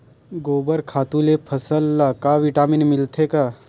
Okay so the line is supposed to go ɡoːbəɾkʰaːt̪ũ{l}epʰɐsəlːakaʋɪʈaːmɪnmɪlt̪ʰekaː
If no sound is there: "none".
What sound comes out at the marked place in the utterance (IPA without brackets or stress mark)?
l